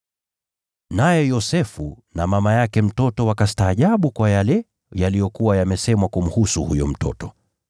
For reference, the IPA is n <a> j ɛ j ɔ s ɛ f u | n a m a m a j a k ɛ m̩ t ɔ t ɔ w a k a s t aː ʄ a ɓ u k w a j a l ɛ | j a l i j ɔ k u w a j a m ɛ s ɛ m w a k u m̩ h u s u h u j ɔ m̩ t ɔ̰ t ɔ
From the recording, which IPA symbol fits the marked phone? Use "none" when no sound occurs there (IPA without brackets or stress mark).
a